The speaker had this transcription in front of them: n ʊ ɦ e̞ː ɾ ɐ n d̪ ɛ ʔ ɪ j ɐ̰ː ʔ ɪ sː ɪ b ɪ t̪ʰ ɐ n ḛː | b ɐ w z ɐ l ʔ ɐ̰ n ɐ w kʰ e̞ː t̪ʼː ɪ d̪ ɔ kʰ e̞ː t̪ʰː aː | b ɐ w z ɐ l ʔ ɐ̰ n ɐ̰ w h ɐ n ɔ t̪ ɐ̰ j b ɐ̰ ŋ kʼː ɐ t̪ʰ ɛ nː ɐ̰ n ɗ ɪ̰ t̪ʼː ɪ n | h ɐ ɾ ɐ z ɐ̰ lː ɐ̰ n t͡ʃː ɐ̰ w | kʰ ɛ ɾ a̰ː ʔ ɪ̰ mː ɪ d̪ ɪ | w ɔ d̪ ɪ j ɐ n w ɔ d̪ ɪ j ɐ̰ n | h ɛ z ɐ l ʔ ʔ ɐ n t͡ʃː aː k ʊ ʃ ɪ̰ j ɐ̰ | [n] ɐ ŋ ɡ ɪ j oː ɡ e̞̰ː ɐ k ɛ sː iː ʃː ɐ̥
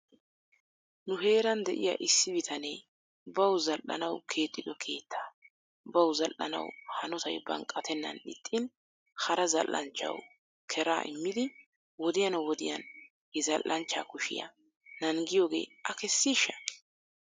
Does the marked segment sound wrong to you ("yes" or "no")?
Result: no